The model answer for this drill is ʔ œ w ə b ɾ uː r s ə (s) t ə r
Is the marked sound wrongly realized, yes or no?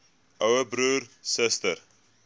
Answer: no